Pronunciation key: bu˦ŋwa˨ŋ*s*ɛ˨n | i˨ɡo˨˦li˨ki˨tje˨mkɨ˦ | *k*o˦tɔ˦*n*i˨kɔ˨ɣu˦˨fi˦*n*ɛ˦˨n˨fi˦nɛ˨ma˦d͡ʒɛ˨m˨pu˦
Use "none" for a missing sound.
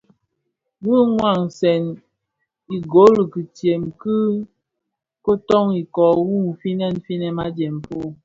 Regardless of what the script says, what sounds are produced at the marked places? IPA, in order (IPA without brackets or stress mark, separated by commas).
s, k, ŋ, n